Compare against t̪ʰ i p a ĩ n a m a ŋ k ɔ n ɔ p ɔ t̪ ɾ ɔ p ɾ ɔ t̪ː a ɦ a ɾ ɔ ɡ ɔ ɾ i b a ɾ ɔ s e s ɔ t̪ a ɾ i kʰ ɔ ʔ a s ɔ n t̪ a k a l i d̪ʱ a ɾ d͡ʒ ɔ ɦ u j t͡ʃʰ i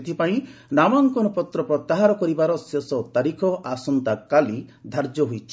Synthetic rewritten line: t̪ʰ i p a ĩ n a m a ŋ k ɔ n ɔ p ɔ t̪ ɾ ɔ p ɾ ɔ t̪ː a ɦ a ɾ ɔ k ɔ ɾ i b a ɾ ɔ s e s ɔ t̪ a ɾ i kʰ ɔ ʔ a s ɔ n t̪ a k a l i d̪ʱ a ɾ d͡ʒ ɔ ɦ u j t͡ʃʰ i